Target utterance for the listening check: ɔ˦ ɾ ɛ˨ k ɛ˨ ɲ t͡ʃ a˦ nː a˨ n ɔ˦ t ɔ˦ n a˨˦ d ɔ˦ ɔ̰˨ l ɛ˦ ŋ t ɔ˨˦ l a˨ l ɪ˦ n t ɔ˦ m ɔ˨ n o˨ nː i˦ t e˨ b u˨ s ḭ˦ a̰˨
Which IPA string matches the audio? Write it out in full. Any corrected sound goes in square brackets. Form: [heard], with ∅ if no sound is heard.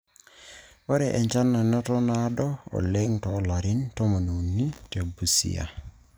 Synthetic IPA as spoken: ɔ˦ ɾ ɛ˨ [ʔ] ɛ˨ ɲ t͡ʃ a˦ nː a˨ n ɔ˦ t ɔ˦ n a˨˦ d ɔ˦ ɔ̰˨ l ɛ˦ ŋ t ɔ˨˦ l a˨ [ɾ] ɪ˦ n t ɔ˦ m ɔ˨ n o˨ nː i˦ t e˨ b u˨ s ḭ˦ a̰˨